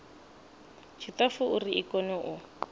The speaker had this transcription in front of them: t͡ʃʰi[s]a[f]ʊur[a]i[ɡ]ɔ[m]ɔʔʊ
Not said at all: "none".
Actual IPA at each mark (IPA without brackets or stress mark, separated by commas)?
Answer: t, f, i, k, n